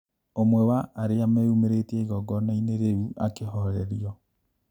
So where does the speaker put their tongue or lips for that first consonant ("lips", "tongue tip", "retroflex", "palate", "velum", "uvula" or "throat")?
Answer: lips